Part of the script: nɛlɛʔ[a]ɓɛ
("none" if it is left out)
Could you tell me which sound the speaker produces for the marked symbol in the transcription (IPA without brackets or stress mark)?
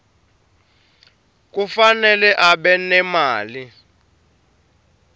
a